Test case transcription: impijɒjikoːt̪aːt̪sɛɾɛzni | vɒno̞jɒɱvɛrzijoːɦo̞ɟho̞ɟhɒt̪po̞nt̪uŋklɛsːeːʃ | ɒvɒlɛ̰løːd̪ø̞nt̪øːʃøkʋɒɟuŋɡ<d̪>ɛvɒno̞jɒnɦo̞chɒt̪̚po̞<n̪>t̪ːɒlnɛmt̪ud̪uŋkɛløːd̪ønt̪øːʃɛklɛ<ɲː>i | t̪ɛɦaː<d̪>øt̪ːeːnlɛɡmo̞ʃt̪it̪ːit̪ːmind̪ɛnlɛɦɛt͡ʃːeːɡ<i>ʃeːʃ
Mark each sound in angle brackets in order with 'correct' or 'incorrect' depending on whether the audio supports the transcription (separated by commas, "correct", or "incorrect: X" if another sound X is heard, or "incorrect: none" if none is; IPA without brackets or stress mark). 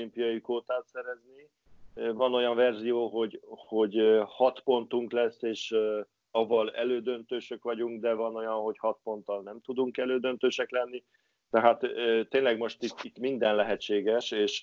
correct, correct, incorrect: nː, incorrect: t̪, incorrect: ɛ